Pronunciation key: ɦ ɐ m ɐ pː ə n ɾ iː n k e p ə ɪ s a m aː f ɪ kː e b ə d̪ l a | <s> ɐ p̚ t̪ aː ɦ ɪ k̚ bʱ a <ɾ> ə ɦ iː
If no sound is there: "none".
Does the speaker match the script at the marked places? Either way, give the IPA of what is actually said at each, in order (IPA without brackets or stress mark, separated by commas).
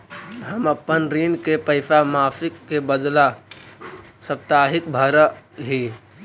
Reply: s, ɾ